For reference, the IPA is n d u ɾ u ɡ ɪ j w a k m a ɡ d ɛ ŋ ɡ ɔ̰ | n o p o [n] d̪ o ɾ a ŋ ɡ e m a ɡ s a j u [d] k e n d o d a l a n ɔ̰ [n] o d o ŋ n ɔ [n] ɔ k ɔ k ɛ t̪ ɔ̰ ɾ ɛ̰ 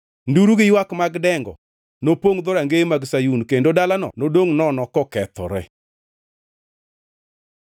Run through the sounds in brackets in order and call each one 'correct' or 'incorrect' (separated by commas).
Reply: incorrect, incorrect, correct, correct